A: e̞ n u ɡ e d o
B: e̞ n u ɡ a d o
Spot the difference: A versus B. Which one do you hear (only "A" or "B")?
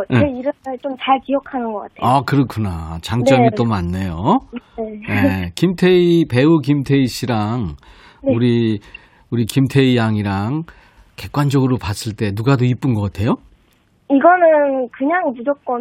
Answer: B